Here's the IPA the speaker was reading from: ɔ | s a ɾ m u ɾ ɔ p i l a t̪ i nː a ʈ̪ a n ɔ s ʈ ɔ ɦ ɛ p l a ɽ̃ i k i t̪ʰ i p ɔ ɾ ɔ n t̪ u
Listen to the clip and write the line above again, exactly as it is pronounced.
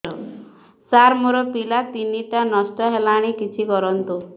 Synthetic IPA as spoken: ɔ | s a ɾ m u ɾ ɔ p i l a t̪ i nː i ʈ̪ a n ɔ s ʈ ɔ ɦ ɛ l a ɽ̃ i k i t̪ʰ i k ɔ ɾ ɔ n t̪ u